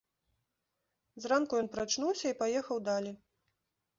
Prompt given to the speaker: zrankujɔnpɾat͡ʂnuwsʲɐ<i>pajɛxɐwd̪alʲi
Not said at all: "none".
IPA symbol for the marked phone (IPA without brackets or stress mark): i